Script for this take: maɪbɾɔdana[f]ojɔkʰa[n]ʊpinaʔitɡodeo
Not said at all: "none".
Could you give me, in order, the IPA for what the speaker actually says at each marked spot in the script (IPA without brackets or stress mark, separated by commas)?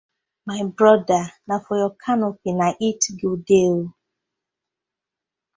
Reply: f, n